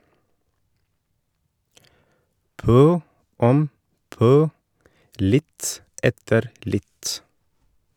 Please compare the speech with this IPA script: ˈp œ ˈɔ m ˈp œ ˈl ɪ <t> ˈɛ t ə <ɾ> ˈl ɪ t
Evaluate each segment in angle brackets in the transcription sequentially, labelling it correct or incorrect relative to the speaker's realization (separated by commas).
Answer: correct, correct